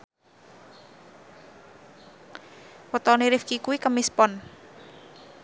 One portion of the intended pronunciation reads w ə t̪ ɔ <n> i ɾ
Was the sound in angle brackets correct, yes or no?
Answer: yes